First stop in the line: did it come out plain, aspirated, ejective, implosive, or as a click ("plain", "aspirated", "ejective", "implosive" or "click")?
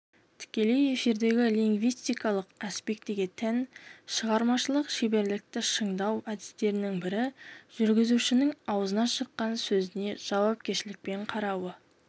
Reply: aspirated